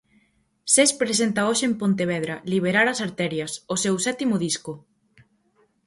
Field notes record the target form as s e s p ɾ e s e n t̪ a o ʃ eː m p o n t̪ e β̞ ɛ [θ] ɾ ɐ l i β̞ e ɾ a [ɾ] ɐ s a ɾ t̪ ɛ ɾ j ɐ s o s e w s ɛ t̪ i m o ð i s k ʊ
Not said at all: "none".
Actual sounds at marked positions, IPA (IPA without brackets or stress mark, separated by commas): ð, ɾ